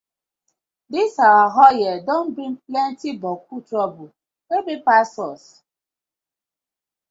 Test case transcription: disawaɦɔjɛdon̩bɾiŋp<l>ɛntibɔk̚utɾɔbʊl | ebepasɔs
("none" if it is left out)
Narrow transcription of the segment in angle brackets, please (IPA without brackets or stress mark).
l